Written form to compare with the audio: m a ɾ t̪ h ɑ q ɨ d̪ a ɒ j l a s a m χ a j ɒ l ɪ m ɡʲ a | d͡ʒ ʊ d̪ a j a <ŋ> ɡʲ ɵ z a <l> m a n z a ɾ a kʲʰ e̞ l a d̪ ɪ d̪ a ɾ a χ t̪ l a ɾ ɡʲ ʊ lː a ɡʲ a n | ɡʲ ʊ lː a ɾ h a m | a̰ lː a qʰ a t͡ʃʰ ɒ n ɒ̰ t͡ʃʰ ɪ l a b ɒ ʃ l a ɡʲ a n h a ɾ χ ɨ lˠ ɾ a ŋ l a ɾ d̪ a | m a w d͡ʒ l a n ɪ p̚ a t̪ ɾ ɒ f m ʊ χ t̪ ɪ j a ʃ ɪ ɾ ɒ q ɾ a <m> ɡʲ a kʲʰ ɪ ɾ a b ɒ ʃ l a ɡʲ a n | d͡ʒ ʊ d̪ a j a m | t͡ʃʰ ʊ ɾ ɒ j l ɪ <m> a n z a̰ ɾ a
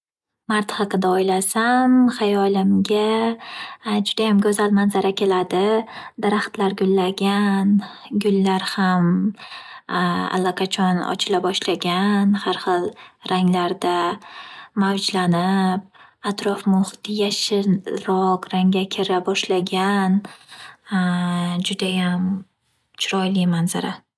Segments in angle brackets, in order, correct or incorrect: incorrect, correct, incorrect, correct

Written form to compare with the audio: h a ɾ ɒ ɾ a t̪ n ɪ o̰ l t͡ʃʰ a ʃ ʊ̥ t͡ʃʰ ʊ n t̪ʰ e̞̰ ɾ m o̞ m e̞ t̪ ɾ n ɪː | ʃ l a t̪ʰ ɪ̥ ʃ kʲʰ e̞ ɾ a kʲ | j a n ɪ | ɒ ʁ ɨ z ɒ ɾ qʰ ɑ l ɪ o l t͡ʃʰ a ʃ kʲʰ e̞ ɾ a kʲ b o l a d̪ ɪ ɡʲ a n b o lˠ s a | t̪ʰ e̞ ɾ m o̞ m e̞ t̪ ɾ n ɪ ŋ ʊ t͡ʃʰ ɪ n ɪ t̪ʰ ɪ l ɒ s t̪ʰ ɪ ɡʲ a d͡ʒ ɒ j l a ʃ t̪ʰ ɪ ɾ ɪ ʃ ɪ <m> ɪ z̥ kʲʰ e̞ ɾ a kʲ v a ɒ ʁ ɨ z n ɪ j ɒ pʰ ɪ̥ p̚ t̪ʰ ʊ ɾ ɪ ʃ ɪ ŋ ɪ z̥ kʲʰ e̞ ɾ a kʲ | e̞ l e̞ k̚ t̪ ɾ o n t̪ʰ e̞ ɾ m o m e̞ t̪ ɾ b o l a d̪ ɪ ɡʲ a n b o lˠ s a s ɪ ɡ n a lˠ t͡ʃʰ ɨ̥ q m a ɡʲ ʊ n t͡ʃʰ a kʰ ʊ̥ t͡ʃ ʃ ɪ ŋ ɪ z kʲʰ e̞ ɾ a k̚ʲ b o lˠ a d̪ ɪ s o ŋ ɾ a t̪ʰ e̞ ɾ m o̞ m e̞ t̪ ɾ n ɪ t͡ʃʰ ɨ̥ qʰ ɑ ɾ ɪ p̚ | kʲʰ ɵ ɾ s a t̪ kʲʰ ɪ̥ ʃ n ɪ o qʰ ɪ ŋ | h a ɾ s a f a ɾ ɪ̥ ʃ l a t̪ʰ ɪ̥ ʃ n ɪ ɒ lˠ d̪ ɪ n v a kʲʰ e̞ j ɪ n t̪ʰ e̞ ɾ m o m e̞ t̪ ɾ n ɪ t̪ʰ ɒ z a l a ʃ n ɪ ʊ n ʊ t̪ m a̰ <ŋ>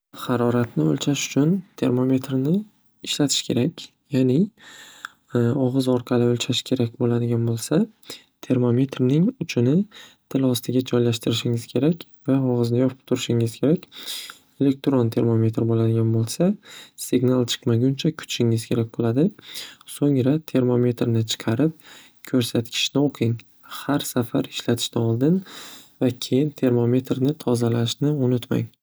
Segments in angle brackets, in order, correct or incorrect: incorrect, correct

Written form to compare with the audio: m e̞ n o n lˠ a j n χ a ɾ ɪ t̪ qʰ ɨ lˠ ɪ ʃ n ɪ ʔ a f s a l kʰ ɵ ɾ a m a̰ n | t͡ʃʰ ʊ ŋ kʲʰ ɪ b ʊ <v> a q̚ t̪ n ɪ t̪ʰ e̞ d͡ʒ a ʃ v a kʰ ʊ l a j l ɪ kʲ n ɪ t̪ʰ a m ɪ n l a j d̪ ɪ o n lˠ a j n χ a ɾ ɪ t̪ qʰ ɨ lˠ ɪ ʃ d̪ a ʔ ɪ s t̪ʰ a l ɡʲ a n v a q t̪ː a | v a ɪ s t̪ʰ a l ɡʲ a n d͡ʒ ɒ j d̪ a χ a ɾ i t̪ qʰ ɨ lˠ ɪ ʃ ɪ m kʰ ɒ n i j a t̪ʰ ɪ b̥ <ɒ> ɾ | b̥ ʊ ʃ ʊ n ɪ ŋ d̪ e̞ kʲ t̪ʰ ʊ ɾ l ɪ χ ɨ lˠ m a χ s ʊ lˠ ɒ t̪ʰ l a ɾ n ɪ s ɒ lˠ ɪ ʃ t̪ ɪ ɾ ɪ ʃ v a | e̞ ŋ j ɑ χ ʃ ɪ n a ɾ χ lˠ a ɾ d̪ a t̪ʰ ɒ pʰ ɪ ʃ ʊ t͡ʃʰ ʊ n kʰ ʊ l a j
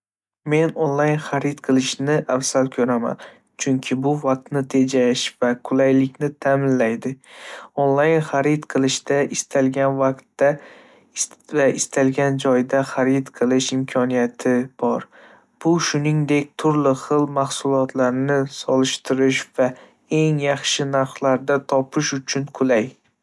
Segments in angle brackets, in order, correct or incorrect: correct, correct

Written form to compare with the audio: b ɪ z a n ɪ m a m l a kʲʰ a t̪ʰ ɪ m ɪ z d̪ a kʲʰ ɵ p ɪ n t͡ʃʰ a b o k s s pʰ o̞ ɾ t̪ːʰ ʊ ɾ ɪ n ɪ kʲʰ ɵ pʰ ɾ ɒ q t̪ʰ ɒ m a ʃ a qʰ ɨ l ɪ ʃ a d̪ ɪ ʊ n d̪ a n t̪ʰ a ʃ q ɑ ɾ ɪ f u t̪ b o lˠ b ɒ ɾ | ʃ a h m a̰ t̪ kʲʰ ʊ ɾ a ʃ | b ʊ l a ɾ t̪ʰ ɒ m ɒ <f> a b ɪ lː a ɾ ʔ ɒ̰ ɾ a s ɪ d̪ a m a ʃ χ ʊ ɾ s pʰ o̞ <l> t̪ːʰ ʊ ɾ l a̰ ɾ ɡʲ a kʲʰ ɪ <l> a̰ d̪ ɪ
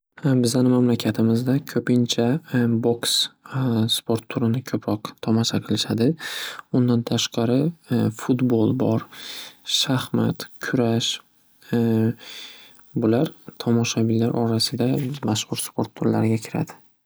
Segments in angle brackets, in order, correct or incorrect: incorrect, incorrect, incorrect

